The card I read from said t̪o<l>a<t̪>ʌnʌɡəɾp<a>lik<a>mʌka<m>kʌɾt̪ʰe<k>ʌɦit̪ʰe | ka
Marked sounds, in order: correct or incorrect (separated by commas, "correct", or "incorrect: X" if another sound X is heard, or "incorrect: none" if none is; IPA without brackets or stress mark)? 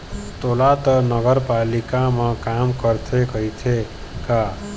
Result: correct, correct, correct, correct, correct, correct